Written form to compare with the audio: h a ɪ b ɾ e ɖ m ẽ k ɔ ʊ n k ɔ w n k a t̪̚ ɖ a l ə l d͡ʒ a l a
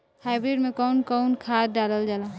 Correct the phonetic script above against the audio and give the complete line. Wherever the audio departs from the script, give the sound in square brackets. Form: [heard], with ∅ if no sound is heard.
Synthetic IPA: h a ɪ b ɾ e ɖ m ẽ k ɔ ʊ n k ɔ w n [kʰ] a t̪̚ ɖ a l ə l d͡ʒ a l a